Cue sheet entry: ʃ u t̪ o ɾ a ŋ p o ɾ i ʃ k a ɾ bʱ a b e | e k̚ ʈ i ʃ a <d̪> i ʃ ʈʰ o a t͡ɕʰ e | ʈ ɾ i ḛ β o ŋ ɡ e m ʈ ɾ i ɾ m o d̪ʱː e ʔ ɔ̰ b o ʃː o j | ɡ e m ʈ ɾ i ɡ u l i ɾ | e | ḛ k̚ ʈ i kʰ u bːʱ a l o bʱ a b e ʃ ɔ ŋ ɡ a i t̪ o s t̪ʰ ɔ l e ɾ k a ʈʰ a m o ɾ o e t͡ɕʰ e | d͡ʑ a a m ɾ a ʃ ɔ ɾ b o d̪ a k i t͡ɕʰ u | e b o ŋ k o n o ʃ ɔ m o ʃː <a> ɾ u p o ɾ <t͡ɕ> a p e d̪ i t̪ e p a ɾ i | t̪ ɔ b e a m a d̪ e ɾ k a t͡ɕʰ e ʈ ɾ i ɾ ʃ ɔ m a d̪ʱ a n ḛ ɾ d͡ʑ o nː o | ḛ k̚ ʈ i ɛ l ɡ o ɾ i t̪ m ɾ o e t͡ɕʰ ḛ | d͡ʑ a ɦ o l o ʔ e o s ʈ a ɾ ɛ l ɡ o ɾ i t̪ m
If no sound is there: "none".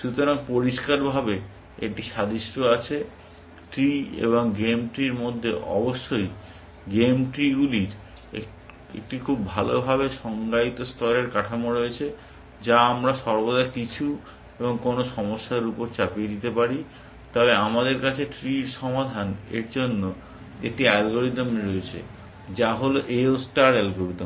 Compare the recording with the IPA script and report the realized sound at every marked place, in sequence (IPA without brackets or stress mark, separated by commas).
d̪, a, t͡ɕ